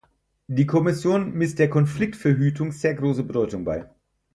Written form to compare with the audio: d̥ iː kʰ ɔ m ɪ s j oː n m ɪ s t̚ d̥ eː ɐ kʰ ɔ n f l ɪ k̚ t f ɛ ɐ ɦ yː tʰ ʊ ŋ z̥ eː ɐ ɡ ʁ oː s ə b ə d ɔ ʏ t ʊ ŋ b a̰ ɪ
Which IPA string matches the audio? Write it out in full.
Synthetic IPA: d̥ iː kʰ ɔ m ɪ s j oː n m ɪ s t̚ d̥ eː ɐ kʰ ɔ n f l ɪ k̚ t f ɛ ɐ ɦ yː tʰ ʊ ŋ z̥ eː ɐ ɡ ʁ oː s ə b ə d ɔ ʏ t ʊ ŋ b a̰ ɪ